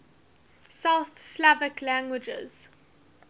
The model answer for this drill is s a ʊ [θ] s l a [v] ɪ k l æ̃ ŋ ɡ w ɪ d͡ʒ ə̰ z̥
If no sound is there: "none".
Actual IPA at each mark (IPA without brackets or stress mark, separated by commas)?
θ, v